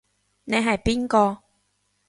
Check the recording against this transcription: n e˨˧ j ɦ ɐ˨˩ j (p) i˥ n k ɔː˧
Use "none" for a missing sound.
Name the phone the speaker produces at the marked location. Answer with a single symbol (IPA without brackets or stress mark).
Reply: p